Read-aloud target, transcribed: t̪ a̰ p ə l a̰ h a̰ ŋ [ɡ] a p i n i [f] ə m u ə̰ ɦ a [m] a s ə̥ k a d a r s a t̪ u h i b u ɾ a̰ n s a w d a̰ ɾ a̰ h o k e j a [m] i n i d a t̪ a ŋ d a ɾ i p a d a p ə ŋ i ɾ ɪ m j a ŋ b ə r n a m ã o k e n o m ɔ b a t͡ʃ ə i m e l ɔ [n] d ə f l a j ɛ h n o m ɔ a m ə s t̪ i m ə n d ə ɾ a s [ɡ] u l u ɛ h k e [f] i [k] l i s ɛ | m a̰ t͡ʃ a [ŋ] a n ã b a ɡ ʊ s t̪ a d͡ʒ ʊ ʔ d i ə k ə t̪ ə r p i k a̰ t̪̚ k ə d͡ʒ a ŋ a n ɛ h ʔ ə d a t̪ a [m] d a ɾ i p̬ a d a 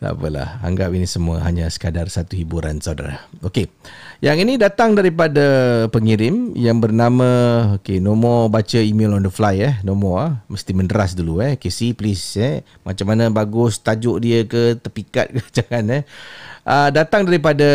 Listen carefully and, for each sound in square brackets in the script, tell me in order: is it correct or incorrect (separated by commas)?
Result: correct, incorrect, incorrect, incorrect, correct, incorrect, incorrect, incorrect, incorrect, incorrect